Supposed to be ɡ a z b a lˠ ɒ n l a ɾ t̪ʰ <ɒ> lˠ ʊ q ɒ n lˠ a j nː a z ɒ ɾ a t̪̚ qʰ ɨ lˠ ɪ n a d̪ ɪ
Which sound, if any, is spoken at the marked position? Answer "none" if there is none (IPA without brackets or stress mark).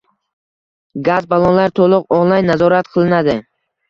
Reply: o